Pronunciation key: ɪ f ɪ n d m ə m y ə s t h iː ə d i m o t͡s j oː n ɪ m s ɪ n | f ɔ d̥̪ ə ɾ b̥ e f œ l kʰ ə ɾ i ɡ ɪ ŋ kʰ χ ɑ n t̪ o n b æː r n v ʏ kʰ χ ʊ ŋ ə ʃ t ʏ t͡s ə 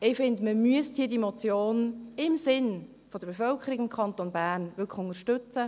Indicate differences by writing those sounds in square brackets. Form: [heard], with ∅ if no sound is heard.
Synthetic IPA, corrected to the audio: ɪ f ɪ n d m ə m y ə s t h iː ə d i m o t͡s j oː n ɪ m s ɪ n | f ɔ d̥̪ ə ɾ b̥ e f œ l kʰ ə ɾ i ɡ ɪ [m] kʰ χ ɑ n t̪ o n b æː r n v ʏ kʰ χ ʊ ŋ ə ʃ t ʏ t͡s ə

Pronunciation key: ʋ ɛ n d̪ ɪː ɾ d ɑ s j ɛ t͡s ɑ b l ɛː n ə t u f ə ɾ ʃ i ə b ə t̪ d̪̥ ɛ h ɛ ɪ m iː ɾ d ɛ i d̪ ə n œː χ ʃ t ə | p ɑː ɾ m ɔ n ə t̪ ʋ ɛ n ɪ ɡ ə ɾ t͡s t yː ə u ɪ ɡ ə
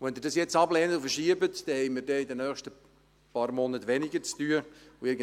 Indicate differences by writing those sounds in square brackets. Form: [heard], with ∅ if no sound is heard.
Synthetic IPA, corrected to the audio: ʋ ɛ n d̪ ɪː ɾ d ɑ s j ɛ t͡s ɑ b l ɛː n ə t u f ə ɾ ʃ i ə b ə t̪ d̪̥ ɛ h ɛ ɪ m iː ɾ d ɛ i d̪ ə n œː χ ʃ t ə | p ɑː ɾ m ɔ n ə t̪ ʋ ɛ n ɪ ɡ ə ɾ t͡s t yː ə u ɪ ɡ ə

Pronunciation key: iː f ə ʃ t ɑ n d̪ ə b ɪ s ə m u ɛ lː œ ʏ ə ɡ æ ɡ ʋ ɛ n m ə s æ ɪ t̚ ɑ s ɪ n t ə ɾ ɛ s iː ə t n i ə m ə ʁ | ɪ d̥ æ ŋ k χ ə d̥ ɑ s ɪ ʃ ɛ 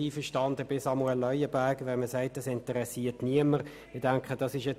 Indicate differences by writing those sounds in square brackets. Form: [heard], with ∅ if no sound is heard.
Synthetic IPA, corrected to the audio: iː f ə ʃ t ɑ n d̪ ə b ɪ s [ɑ] m u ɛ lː œ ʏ ə [b] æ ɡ ʋ ɛ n m ə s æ ɪ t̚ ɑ s ɪ n t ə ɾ ɛ s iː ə t n i ə m ə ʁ | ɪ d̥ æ ŋ k χ ə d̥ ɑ s ɪ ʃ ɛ

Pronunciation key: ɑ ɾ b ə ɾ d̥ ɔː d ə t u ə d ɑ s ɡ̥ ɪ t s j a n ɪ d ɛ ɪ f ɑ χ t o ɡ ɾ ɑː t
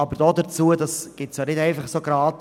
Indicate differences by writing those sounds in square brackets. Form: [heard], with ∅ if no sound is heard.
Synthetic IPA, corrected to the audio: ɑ [∅] b ə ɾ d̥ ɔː d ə [t͡s] u ə d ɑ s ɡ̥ ɪ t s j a n ɪ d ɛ ɪ f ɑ χ [s] o ɡ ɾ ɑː t

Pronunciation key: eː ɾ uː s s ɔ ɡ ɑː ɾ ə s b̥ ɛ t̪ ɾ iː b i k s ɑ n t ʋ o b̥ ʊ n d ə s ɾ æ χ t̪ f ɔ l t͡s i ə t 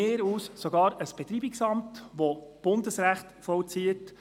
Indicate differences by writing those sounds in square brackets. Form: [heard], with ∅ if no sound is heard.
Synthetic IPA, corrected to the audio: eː ɾ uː s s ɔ ɡ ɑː ɾ ə s b̥ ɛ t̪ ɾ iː b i k s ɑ [m] t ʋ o b̥ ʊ n d ə s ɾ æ χ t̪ f ɔ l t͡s i ə t

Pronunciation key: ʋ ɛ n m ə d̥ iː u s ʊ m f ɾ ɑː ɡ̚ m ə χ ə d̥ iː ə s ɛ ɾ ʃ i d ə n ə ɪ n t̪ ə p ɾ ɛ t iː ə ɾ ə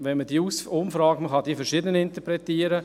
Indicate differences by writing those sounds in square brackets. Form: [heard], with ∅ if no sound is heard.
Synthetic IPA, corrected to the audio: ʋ ɛ n m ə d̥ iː u s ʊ m f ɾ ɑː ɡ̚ m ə χ [ɑ] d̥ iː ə [f] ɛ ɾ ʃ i d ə n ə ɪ n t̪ ə p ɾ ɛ t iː ə ɾ ə

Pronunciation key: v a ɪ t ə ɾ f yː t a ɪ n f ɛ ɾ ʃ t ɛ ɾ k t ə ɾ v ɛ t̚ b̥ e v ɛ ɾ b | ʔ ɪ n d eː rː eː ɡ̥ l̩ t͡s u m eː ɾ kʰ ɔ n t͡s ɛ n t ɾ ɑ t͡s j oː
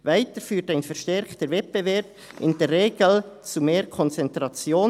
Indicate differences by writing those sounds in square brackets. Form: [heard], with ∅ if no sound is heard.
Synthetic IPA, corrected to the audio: v a ɪ t ə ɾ f yː t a ɪ n f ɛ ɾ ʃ t ɛ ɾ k t ə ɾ v ɛ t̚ b̥ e v ɛ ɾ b | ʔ ɪ n d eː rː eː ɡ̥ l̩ t͡s u m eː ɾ kʰ ɔ n t͡s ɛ n t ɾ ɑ t͡s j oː

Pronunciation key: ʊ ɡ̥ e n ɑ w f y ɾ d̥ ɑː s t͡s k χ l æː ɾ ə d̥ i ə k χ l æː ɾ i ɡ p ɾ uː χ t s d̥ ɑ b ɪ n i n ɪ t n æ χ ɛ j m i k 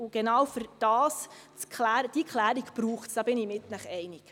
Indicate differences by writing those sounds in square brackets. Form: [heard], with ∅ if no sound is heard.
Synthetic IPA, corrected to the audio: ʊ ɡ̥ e n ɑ w f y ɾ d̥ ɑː s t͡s k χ l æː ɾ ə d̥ i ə k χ l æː ɾ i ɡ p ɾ uː χ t s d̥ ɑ b ɪ n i [m] ɪ t n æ χ ɛ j [n] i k

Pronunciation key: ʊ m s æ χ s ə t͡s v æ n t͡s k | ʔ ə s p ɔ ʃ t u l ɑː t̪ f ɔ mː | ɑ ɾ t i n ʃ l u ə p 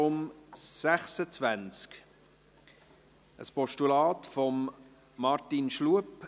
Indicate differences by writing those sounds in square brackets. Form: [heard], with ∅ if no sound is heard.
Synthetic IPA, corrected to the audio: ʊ m s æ χ s ə t͡s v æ n t͡s k | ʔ ə s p ɔ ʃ t u l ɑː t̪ f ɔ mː | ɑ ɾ t i n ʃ l u ə p

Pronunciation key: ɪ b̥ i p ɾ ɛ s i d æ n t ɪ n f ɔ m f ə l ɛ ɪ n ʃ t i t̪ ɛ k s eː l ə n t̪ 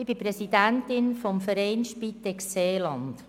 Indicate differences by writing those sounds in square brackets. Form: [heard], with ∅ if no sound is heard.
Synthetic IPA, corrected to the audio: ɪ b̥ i p ɾ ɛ s i d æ n t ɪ n f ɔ m f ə [ɾ] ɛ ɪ n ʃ [p] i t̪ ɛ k s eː l [ɑ] n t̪

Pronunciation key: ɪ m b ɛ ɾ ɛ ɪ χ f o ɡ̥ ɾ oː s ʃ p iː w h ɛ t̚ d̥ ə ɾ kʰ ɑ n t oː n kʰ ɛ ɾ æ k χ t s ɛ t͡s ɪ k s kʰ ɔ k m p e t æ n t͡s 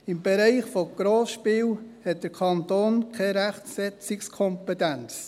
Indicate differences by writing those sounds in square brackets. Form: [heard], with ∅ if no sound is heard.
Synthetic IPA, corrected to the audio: ɪ m b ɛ ɾ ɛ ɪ χ f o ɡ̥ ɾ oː s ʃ p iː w h ɛ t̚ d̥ ə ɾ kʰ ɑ n t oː n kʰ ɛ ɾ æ [∅] χ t s ɛ t͡s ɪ k s kʰ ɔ [∅] m p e t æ n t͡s

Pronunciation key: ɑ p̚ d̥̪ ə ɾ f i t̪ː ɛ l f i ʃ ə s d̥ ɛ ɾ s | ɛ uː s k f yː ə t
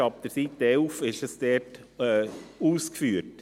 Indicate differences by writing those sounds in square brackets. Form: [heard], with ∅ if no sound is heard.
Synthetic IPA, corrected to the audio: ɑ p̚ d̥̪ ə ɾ [s] i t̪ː ɛ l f [ɪ] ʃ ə s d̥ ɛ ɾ [t] | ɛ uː s k f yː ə t

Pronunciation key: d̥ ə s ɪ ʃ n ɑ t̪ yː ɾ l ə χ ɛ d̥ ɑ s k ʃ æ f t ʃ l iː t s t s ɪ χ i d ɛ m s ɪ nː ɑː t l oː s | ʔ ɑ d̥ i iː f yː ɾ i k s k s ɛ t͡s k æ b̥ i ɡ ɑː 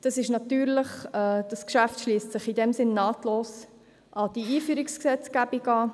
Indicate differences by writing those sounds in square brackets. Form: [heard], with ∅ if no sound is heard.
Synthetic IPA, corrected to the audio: d̥ [ɑ] s ɪ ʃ n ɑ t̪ yː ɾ l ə χ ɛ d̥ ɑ s k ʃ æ f t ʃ l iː [∅] s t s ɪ χ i d ɛ m s ɪ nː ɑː t l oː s | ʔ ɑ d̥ i iː f yː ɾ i k s k s ɛ t͡s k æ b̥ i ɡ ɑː

